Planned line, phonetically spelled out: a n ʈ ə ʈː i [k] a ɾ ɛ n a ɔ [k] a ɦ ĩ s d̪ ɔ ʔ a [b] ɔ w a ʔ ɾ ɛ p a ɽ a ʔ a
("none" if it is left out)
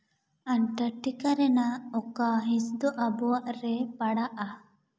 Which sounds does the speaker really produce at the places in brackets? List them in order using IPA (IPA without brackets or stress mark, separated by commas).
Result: k, k, b